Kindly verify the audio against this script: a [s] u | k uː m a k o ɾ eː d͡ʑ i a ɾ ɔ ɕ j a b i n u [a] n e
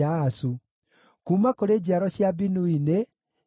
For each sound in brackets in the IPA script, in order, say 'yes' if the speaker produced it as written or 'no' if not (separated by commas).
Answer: yes, no